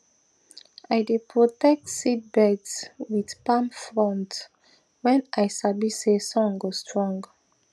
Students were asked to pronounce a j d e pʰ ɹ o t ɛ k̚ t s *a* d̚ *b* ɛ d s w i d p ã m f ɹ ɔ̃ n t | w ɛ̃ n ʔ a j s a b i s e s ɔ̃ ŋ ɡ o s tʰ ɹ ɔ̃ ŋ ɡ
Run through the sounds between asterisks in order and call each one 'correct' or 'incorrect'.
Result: incorrect: i, correct

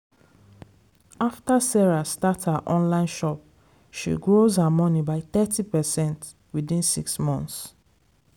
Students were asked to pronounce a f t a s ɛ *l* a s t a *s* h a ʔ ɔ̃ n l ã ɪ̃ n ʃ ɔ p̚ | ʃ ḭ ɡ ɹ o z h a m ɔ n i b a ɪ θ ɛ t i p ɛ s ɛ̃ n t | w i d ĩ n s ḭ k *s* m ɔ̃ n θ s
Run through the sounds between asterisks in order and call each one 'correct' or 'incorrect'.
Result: incorrect: ɹ, incorrect: t, correct

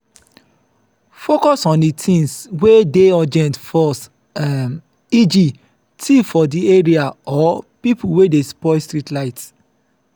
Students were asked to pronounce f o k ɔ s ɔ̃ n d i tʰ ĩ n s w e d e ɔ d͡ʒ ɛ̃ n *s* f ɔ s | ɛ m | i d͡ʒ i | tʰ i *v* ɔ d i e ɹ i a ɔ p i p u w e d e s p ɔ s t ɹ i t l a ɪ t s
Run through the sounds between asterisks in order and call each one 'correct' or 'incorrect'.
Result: incorrect: t, incorrect: f

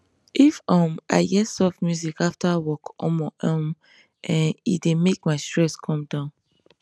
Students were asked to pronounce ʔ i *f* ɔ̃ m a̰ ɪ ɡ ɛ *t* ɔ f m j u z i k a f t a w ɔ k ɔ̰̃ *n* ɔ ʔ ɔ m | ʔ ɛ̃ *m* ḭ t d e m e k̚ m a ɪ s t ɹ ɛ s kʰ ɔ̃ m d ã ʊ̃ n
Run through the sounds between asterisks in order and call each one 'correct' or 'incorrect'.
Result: correct, incorrect: s, incorrect: m, incorrect: n

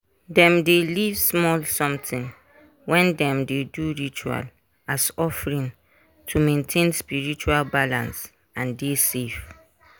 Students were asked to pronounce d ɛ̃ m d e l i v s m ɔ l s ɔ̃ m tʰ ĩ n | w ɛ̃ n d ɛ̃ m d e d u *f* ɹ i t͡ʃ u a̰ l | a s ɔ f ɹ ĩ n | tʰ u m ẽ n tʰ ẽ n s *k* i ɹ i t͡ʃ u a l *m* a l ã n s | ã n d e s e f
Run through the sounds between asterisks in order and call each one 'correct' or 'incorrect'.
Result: incorrect: none, incorrect: p, incorrect: b

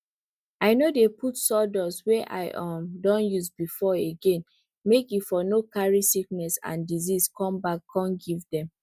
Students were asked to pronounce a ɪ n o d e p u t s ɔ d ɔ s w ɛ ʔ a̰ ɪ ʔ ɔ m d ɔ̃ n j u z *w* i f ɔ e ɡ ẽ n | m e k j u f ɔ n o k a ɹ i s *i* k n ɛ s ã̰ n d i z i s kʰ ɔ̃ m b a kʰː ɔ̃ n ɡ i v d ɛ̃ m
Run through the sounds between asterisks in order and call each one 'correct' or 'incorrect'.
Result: incorrect: b, correct

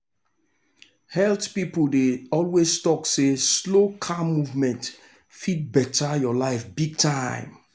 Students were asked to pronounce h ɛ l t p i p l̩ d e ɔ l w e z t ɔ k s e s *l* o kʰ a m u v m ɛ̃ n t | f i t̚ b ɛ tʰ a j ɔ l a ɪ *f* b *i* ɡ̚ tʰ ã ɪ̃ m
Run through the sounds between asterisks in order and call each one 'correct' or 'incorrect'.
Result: correct, correct, correct

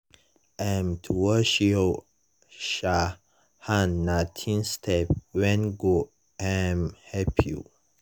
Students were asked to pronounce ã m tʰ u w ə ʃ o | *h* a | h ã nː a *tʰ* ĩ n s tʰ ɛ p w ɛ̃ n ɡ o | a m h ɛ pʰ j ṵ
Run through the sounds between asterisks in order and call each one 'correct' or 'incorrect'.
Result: incorrect: ʃ, correct

